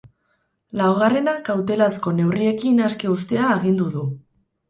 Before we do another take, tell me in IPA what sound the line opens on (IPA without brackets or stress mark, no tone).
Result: l